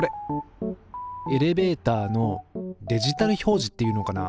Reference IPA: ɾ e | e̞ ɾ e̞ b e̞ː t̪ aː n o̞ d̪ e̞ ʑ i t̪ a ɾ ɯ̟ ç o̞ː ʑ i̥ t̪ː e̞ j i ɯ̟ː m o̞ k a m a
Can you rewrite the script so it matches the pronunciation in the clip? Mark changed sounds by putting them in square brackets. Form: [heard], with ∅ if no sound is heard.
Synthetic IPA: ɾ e | e̞ ɾ e̞ b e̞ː t̪ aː n o̞ d̪ e̞ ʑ i t̪ a ɾ ɯ̟ ç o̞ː ʑ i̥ t̪ː e̞ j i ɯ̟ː [n] o̞ k a [n] a